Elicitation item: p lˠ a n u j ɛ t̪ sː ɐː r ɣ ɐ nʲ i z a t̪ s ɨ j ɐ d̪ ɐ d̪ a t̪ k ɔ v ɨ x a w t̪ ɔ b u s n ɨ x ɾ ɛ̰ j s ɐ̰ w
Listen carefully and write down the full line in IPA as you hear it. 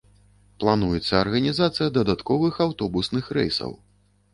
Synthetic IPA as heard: p lˠ a n u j ɛ t̪ sː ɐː r ɣ ɐ nʲ i z a t̪ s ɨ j ɐ d̪ ɐ d̪ a t̪ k ɔ v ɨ x a w t̪ ɔ b u s n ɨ x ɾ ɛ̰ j s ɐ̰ w